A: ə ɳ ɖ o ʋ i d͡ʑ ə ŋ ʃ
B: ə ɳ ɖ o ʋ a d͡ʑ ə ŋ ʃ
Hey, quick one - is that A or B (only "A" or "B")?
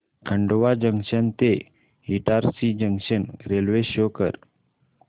B